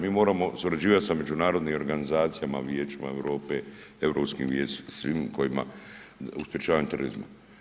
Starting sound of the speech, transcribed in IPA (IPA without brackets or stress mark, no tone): m